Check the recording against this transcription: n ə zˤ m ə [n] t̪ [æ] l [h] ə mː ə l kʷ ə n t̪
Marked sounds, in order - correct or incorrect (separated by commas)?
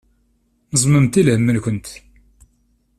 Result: incorrect, incorrect, correct